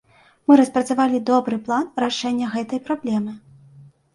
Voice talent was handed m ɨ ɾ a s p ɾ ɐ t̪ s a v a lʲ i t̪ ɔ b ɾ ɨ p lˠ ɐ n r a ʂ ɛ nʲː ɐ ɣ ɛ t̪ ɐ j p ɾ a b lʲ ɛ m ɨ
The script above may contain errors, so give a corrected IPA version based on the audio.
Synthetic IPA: m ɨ ɾ ɐ s p ɾ ɐ t̪ s a v a lʲ i d̪ ɔ b ɾ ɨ p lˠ a n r a ʂ ɛ nʲː ɐ ɣ ɛ t̪ ɐ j p ɾ a b lʲ ɛ m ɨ